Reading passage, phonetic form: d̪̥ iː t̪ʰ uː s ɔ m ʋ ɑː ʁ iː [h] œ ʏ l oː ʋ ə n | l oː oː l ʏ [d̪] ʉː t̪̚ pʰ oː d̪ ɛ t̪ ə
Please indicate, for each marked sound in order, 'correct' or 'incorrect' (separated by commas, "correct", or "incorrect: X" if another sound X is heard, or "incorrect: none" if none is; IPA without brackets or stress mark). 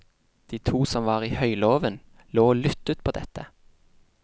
correct, incorrect: t̪